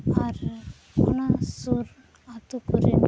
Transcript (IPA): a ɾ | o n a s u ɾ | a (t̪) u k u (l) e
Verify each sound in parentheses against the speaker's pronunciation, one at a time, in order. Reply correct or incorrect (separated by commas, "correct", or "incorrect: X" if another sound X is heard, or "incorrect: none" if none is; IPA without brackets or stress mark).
correct, incorrect: ɾ